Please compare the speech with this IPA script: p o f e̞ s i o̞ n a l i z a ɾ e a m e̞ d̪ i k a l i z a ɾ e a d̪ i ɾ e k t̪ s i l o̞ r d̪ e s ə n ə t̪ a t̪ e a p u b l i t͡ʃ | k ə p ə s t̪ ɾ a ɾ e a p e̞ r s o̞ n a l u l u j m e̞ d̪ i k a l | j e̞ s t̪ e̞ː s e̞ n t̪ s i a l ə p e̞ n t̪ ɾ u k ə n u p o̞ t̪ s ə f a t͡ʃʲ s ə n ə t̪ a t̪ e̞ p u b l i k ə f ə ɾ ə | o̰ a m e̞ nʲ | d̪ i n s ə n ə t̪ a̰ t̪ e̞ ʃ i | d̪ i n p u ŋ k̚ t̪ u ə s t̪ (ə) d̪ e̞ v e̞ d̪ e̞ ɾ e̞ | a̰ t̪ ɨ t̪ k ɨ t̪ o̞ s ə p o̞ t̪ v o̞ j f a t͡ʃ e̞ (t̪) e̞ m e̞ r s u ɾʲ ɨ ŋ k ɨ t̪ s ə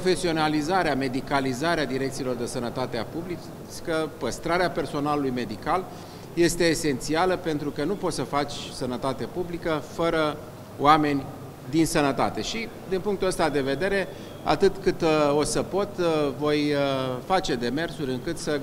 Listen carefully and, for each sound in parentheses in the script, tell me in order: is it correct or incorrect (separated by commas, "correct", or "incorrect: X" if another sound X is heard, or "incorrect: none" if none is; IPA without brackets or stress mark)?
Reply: incorrect: a, incorrect: d̪